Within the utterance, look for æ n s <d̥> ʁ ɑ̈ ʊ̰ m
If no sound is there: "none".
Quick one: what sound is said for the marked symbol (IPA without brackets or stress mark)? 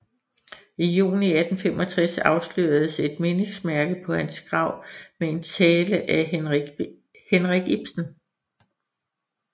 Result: ɡ̥